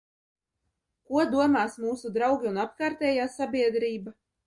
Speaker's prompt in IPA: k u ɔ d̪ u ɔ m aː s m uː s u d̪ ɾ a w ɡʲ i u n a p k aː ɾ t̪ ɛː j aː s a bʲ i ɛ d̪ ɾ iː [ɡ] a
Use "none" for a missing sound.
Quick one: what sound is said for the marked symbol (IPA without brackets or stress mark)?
b